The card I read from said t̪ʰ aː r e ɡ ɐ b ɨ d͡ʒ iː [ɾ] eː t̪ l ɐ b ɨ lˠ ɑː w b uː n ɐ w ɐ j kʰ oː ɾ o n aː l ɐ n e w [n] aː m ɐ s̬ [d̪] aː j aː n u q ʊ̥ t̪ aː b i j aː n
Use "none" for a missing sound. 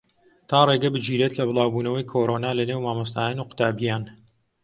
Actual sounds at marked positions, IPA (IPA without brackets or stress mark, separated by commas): ɾ, m, t̪